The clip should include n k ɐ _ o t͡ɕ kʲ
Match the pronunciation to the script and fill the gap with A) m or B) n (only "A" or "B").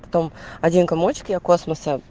A